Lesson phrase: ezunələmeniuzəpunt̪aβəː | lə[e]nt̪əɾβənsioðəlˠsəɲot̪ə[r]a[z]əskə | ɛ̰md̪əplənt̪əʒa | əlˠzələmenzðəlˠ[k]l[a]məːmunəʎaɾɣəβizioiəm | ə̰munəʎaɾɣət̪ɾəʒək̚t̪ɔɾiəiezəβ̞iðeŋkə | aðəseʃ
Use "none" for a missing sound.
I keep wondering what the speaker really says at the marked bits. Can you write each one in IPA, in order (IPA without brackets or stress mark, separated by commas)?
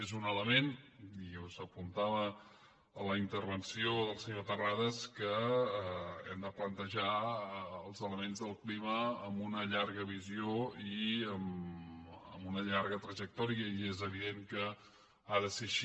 i, r, ð, k, i